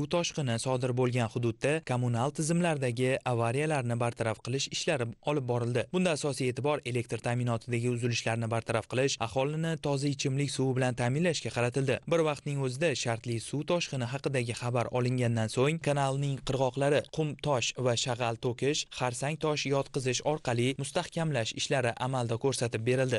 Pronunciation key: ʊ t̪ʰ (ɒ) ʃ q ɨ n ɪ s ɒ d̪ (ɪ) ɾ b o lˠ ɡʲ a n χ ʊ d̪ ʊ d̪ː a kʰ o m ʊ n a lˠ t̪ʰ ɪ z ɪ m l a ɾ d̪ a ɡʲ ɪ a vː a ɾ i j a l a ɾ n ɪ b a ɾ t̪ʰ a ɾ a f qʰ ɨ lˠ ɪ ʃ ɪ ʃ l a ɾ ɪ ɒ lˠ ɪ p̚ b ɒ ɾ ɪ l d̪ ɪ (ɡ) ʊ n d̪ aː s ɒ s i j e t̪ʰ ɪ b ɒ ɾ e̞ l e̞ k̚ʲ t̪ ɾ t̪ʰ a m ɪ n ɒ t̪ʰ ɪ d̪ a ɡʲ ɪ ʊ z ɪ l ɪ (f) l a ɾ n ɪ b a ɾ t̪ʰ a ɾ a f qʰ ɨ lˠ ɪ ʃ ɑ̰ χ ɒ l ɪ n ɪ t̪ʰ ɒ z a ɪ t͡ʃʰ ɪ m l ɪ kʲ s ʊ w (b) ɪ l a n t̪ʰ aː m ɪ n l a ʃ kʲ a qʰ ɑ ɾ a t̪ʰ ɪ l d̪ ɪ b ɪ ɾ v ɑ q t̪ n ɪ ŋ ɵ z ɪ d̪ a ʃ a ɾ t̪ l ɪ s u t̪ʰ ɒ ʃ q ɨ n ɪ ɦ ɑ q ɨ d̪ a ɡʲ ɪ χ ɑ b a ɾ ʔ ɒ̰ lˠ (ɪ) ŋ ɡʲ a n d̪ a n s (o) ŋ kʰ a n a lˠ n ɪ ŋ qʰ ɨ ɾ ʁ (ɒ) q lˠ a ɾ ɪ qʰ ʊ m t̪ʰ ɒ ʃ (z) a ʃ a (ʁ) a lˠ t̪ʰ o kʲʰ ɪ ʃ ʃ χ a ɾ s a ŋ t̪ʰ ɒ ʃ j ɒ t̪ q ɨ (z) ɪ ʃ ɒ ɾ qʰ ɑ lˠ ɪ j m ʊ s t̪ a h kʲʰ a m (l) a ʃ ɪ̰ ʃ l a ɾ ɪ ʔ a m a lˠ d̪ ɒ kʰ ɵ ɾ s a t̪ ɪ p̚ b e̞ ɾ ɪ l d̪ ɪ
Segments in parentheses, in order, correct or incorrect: correct, correct, incorrect, incorrect, correct, correct, correct, correct, incorrect, correct, correct, correct

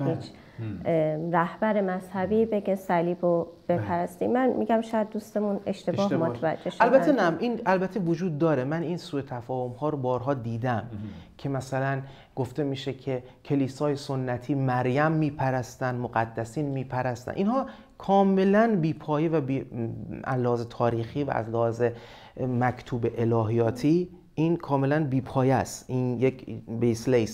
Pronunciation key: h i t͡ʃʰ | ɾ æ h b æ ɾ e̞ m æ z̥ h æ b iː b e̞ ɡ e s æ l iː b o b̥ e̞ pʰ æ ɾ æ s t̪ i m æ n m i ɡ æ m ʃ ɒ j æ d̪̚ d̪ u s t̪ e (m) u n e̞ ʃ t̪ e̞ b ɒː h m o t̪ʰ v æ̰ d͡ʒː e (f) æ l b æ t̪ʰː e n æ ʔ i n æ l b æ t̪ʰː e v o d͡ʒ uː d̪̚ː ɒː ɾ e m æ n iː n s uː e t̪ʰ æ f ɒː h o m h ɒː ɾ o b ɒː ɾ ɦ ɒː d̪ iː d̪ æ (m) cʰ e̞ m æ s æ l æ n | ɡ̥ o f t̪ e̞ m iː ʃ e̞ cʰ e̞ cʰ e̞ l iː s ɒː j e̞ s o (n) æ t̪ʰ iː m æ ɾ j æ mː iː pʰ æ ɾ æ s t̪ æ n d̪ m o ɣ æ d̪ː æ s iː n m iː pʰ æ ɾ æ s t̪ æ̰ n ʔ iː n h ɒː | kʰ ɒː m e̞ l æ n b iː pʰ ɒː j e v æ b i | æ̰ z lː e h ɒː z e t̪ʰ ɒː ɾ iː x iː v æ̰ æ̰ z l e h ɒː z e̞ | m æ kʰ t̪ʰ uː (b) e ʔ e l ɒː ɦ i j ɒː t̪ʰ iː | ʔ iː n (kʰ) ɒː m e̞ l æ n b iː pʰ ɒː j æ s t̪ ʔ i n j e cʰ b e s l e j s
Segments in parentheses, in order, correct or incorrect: correct, incorrect, correct, incorrect, correct, correct

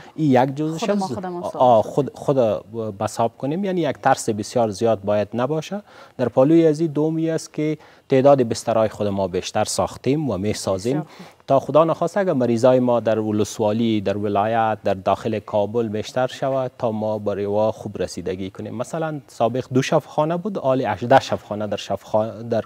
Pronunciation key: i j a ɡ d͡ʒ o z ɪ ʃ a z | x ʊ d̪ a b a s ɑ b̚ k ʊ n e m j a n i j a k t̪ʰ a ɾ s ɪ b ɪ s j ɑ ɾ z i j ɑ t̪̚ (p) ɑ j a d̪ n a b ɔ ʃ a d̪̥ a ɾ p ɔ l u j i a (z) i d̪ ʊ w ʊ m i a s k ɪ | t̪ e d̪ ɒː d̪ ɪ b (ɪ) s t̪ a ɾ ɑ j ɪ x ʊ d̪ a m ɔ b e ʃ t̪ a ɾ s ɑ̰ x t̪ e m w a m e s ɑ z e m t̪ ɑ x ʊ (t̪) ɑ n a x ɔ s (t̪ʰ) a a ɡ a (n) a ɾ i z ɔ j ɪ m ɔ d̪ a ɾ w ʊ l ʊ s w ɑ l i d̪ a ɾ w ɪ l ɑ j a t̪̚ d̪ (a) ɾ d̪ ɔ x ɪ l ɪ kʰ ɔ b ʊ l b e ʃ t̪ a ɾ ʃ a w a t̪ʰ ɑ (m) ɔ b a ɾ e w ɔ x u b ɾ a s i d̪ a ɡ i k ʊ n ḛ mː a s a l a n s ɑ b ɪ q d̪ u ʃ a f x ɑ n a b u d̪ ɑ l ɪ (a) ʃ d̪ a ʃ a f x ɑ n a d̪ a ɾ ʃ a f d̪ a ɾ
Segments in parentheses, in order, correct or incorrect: incorrect, correct, correct, incorrect, incorrect, incorrect, correct, correct, correct

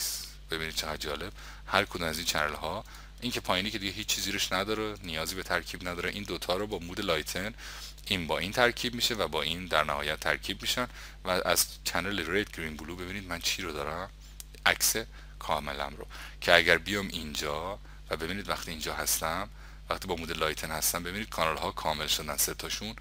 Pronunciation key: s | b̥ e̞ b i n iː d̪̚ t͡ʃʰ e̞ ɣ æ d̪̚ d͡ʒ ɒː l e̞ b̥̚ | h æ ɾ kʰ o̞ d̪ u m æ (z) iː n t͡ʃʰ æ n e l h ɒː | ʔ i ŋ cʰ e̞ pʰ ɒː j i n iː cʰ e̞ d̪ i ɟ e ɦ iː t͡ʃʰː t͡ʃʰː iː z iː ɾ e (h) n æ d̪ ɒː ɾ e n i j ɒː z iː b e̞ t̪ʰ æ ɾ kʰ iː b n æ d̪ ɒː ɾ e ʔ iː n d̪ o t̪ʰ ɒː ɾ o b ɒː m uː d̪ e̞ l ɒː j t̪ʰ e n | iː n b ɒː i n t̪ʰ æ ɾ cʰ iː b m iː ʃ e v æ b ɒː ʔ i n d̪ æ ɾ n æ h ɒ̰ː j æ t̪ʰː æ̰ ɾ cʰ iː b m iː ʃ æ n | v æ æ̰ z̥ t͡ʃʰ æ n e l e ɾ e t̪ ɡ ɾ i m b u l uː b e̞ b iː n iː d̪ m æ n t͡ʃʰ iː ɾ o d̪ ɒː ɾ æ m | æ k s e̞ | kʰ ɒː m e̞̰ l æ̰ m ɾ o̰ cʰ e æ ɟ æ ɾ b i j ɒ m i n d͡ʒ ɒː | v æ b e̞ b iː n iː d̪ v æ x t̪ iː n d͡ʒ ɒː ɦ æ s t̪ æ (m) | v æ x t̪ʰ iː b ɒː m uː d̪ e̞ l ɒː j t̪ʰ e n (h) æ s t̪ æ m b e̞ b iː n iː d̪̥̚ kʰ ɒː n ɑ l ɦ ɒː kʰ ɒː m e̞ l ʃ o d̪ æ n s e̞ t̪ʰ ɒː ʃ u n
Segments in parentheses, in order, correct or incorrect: correct, incorrect, correct, correct

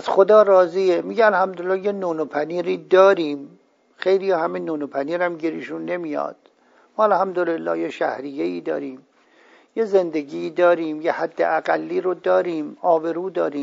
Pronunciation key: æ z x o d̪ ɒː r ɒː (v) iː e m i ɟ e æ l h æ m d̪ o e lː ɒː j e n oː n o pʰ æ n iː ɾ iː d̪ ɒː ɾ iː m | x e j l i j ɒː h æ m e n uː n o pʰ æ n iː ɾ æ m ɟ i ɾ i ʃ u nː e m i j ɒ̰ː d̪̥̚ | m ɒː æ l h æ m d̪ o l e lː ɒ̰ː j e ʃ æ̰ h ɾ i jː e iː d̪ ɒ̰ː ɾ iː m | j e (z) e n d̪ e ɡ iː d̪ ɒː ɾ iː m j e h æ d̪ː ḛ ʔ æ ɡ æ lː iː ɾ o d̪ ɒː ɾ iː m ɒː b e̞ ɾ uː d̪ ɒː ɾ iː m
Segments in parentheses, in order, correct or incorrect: incorrect, correct

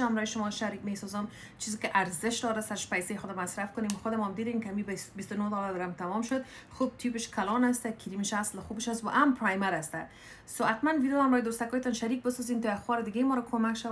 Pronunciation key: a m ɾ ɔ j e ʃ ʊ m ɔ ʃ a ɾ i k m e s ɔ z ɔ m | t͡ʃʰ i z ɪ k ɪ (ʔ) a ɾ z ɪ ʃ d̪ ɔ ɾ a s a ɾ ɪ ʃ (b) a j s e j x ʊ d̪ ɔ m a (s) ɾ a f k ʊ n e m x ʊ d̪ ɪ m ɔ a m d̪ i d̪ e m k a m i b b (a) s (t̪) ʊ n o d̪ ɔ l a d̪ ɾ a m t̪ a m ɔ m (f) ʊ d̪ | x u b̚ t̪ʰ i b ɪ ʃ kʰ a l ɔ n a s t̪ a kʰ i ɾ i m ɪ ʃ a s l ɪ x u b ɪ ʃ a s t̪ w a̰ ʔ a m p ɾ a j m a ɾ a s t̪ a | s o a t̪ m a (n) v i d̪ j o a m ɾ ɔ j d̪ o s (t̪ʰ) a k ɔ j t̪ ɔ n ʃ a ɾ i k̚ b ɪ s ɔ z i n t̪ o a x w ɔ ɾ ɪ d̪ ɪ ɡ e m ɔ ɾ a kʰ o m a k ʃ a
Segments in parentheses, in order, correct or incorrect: correct, incorrect, correct, incorrect, correct, incorrect, correct, incorrect

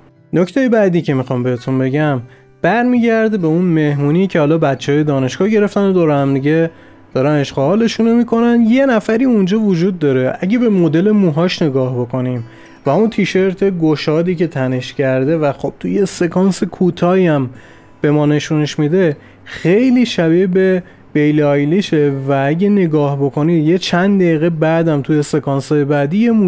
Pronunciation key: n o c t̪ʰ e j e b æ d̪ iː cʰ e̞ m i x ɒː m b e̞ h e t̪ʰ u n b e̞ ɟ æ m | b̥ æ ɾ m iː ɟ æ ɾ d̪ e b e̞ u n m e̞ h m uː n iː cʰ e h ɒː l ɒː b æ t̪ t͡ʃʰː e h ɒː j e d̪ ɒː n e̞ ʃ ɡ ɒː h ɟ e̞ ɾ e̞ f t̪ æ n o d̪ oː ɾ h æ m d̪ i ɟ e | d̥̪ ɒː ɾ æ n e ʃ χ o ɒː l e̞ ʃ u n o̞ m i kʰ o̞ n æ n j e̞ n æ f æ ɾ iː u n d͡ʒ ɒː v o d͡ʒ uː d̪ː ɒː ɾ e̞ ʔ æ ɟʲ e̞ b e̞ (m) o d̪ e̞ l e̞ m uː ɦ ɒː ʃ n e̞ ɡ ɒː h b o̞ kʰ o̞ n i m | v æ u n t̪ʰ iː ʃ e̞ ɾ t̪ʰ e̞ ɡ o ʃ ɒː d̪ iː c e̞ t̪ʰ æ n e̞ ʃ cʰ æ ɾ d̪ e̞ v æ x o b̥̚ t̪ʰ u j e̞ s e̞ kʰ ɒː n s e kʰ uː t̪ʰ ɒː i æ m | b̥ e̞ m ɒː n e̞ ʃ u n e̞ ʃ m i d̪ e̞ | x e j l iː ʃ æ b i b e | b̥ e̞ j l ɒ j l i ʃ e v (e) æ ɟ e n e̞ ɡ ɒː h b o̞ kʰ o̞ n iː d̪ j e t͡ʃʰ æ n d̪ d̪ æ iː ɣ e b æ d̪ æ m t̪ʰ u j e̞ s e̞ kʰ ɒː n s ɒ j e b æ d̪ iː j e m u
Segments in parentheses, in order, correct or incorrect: correct, incorrect

